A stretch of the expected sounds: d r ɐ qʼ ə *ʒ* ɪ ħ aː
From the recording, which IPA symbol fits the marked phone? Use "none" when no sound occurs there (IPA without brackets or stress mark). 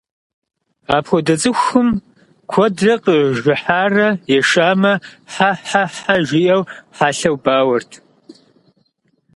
ʒ